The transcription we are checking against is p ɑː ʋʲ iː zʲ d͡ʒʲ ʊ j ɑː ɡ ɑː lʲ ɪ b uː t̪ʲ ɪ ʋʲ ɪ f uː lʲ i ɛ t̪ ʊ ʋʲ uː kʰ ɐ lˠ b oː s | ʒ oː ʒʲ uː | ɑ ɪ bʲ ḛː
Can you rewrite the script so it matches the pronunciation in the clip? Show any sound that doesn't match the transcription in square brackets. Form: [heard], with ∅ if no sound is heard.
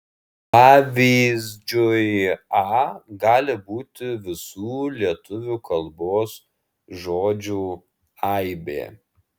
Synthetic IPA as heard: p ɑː ʋʲ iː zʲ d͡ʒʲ ʊ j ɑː ɡ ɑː lʲ ɪ b uː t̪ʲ ɪ ʋʲ ɪ [s] uː lʲ i ɛ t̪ ʊ ʋʲ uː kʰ ɐ lˠ b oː s | ʒ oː [d͡ʒʲ] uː | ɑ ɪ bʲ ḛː

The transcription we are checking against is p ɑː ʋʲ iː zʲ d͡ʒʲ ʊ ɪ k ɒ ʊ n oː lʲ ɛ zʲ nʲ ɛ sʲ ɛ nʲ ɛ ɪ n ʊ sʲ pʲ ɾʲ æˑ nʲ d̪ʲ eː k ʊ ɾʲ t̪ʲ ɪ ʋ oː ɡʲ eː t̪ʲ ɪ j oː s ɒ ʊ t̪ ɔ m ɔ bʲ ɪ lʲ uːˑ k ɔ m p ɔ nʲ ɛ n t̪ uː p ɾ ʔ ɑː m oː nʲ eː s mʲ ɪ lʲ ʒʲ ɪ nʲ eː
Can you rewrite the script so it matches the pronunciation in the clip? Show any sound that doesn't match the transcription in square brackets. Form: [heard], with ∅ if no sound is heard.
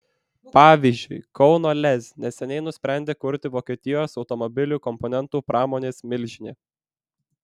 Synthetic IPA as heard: p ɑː ʋʲ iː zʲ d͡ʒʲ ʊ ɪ k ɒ ʊ n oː lʲ ɛ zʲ nʲ ɛ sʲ ɛ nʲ ɛ ɪ n ʊ sʲ pʲ ɾʲ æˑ nʲ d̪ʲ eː k ʊ ɾʲ t̪ʲ ɪ ʋ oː [kʲ] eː t̪ʲ ɪ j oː s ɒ ʊ t̪ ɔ m ɔ bʲ ɪ lʲ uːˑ k ɔ m p ɔ nʲ ɛ n t̪ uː p ɾ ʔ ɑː m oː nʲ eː s mʲ ɪ lʲ ʒʲ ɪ nʲ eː

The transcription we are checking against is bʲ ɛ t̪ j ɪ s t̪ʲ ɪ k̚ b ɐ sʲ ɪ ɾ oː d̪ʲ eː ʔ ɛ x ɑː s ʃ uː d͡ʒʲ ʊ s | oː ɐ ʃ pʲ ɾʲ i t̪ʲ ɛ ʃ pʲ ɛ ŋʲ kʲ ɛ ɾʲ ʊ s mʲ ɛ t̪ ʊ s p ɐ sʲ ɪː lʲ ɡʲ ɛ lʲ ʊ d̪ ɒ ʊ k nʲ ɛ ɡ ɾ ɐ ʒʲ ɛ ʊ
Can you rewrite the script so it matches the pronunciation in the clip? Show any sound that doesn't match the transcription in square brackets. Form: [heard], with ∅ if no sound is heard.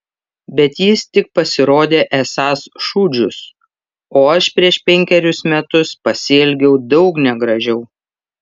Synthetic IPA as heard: bʲ ɛ t̪ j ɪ s t̪ʲ ɪ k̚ [p] ɐ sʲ ɪ ɾ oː d̪ʲ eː ʔ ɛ [s] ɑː s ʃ uː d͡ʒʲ ʊ s | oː ɐ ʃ pʲ ɾʲ i [∅] ɛ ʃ pʲ ɛ ŋʲ kʲ ɛ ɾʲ ʊ s mʲ ɛ t̪ ʊ s p ɐ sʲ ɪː lʲ ɡʲ ɛ [∅] ʊ d̪ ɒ ʊ k nʲ ɛ ɡ ɾ ɐ ʒʲ ɛ ʊ

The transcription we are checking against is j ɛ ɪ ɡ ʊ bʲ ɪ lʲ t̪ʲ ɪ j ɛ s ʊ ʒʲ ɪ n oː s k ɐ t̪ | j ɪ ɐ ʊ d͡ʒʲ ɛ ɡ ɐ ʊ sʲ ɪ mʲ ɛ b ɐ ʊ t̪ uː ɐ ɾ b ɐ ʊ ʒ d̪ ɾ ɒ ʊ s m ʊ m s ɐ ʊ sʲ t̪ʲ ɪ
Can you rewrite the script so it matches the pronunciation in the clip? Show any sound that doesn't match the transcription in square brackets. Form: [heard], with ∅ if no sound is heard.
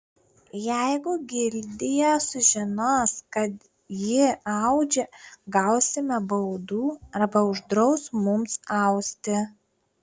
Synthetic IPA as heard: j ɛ ɪ ɡ ʊ [ɡʲ] ɪ lʲ [d̪ʲ] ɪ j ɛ s ʊ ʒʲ ɪ n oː s k ɐ t̪ | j ɪ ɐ ʊ d͡ʒʲ ɛ ɡ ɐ ʊ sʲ ɪ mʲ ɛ b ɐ ʊ [d̪] uː ɐ ɾ b ɐ ʊ ʒ d̪ ɾ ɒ ʊ s m ʊ m s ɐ ʊ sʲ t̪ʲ ɪ

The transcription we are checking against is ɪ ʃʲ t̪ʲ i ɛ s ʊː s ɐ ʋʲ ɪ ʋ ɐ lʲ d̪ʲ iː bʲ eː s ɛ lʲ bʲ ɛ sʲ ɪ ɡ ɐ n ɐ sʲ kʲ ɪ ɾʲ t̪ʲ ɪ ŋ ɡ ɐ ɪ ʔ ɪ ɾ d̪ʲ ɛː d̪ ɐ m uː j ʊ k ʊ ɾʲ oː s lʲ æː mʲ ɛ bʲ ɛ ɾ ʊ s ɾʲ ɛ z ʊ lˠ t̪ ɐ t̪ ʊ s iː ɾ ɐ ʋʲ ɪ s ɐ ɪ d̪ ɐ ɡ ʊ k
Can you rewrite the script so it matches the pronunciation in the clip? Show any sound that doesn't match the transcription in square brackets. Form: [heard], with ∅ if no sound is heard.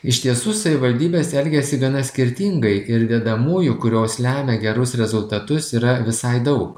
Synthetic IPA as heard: ɪ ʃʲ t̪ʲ i ɛ s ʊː s ɐ ʋʲ ɪ ʋ ɐ lʲ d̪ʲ iː bʲ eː s ɛ lʲ [ɡʲ] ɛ sʲ ɪ ɡ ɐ n ɐ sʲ kʲ ɪ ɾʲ t̪ʲ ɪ ŋ ɡ ɐ ɪ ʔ ɪ ɾ d̪ʲ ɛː d̪ ɐ m uː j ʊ k ʊ ɾʲ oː s lʲ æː mʲ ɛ [ɡʲ] ɛ ɾ ʊ s ɾʲ ɛ z ʊ lˠ t̪ ɐ t̪ ʊ s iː ɾ ɐ ʋʲ ɪ s ɐ ɪ d̪ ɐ [∅] ʊ k

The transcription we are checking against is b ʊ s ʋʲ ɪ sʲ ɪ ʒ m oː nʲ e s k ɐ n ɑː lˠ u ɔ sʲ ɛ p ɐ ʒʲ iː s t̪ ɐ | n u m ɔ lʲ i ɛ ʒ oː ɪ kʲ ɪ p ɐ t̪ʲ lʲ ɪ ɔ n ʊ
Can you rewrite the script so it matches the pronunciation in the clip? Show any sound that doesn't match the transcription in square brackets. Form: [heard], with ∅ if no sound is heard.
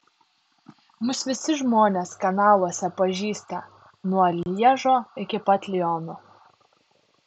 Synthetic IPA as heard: [m] ʊ s ʋʲ ɪ sʲ ɪ ʒ m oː nʲ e s k ɐ n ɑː lˠ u ɔ sʲ ɛ p ɐ ʒʲ iː s t̪ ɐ | n u [∅] ɔ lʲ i ɛ ʒ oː ɪ kʲ ɪ p ɐ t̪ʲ lʲ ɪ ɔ n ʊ

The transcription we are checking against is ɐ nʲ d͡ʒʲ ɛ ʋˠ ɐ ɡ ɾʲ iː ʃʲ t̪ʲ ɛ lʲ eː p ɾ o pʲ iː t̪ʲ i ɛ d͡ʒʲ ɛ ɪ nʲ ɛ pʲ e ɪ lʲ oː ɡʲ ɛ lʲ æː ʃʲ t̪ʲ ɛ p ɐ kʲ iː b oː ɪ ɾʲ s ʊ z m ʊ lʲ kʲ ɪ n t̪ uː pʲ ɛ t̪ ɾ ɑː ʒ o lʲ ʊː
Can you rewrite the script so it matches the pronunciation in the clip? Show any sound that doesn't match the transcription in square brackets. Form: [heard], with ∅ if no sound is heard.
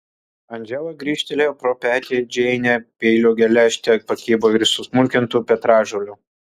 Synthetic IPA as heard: ɐ nʲ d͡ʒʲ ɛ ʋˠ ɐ ɡ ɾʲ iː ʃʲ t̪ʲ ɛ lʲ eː p ɾ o pʲ [æː] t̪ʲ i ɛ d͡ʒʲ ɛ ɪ nʲ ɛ pʲ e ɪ lʲ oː ɡʲ ɛ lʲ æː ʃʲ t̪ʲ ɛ p ɐ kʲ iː b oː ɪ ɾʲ s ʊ [s] m ʊ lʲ kʲ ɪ n t̪ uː pʲ ɛ t̪ ɾ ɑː ʒ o lʲ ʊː

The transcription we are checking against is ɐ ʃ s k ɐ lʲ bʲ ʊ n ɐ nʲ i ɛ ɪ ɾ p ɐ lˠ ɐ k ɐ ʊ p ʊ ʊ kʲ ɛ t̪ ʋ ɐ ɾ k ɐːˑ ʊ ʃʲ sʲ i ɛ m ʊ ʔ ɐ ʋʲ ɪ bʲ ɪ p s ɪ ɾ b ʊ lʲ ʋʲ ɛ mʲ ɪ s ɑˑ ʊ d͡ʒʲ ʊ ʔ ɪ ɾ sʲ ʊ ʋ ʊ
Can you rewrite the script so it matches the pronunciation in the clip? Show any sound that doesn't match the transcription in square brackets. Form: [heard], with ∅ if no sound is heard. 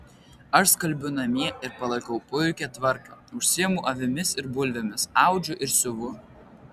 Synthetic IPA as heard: ɐ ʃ s k ɐ lʲ bʲ ʊ n ɐ [mʲ] i ɛ ɪ ɾ p ɐ lˠ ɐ k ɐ ʊ p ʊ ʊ kʲ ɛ t̪ ʋ ɐ ɾ k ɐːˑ ʊ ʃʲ sʲ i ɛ m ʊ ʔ ɐ ʋʲ ɪ [mʲ] ɪ [∅] s ɪ ɾ b ʊ lʲ ʋʲ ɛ mʲ ɪ s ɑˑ ʊ d͡ʒʲ ʊ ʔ ɪ ɾ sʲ ʊ ʋ ʊ

